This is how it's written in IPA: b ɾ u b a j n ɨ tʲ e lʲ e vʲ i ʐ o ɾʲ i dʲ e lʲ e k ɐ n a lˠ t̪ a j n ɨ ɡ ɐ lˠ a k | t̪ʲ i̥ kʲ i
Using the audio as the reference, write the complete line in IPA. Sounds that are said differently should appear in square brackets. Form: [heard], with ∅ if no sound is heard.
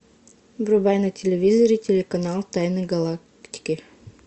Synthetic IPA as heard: b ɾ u b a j n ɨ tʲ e lʲ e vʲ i [z] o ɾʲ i [tʲ] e lʲ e k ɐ n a lˠ t̪ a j n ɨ ɡ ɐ lˠ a k | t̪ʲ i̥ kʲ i